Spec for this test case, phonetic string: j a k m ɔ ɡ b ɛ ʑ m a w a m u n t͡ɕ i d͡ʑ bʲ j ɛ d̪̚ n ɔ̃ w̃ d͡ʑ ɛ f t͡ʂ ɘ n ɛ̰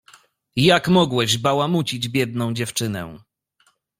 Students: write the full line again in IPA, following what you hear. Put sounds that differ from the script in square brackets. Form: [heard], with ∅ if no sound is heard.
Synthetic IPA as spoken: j a k m ɔ ɡ [w] ɛ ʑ [b] a w a m u [∅] t͡ɕ i d͡ʑ bʲ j ɛ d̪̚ n ɔ̃ w̃ d͡ʑ ɛ f t͡ʂ ɘ n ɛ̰